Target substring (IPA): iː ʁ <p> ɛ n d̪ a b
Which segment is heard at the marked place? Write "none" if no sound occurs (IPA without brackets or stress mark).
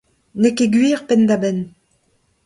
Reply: p